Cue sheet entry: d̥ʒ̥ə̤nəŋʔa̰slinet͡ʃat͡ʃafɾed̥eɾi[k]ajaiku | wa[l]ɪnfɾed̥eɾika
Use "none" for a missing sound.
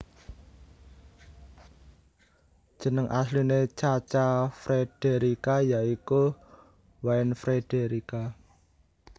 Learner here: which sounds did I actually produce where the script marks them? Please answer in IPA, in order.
k, none

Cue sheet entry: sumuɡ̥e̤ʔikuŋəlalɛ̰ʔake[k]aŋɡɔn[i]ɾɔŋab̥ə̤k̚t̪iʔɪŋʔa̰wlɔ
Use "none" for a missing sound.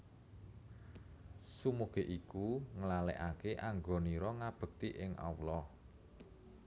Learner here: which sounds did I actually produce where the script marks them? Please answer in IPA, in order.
ʔ, i

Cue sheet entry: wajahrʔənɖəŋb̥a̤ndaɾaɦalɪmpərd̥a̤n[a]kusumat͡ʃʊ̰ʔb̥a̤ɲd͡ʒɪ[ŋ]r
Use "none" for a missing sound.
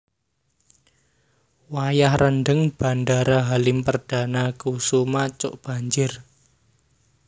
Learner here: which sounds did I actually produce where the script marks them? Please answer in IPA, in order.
a, none

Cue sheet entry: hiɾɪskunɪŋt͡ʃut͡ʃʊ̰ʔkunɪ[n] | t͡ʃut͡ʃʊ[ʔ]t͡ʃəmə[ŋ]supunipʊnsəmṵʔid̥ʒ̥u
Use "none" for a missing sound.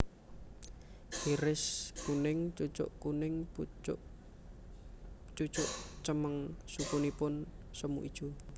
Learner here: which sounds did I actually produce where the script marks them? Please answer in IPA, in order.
ŋ, ʔ, ŋ

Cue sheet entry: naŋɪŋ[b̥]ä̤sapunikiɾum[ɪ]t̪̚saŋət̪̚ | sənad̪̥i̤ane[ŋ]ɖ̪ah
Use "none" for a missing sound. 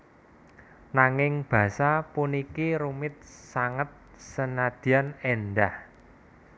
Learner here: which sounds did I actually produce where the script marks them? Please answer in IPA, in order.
b̥, ɪ, n

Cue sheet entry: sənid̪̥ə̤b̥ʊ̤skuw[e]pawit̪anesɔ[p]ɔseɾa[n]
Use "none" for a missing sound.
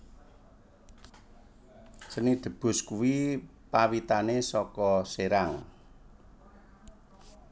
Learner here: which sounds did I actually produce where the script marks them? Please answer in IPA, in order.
i, k, ŋ

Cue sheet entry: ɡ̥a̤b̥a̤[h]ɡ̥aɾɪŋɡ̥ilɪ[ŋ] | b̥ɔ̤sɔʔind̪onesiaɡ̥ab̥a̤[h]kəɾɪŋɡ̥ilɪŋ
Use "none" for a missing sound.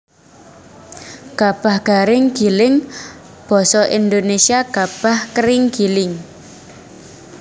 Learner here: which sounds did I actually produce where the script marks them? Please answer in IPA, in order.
h, ŋ, h

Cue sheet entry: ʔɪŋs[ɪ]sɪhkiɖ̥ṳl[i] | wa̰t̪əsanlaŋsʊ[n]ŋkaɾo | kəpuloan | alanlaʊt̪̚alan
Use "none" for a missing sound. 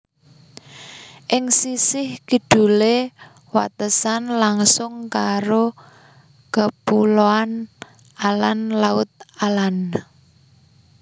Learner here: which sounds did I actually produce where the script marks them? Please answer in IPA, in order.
i, e, none

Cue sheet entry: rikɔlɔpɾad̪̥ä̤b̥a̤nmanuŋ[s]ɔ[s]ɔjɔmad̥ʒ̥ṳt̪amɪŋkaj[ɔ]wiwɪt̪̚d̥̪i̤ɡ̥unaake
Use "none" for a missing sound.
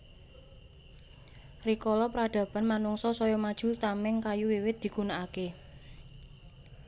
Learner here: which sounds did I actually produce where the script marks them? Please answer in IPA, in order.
s, s, u

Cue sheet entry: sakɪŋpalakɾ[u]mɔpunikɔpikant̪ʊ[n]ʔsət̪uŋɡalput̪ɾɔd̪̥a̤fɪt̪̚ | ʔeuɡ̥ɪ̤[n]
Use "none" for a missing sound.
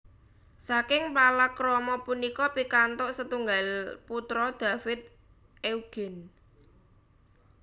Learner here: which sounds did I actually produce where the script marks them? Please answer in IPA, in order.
ɔ, none, n

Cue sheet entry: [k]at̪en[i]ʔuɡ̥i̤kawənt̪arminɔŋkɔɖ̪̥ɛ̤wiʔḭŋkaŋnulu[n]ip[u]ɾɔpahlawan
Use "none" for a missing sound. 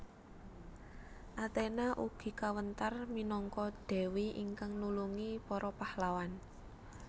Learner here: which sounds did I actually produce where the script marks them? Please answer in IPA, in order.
ʔ, a, ŋ, ɔ

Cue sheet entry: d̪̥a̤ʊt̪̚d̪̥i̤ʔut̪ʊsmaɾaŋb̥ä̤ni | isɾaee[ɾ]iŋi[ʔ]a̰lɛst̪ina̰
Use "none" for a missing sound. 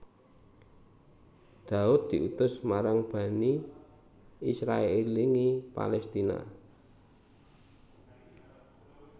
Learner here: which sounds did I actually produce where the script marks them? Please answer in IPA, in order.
l, p

